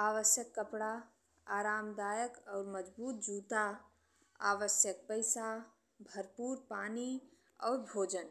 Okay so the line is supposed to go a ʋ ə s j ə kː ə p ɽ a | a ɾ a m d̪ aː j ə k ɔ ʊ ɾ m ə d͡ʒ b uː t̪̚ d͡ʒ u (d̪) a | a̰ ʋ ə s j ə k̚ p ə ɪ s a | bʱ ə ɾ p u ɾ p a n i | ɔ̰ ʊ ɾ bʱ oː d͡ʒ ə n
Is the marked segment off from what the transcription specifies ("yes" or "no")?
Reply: yes